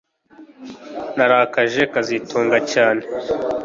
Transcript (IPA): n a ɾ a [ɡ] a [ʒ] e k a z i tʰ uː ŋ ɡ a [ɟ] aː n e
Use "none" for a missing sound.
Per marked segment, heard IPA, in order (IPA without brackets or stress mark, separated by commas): k, ʒ, c